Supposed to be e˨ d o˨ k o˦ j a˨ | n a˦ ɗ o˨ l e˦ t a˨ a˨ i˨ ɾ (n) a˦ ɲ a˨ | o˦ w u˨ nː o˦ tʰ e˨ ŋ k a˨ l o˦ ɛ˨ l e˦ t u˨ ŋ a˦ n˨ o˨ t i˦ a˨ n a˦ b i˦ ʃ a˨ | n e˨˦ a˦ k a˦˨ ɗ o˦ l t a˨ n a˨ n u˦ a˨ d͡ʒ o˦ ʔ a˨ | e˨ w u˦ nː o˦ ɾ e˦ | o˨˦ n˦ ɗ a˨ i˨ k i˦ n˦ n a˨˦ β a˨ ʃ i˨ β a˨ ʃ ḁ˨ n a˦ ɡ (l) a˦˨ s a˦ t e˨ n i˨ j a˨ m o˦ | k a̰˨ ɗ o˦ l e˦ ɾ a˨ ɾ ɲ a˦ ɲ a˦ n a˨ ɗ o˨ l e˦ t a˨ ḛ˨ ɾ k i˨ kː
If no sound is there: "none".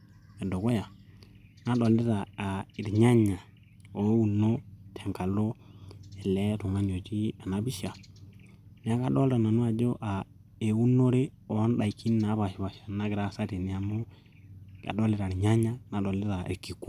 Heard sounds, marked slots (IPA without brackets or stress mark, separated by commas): ɲ, ɾ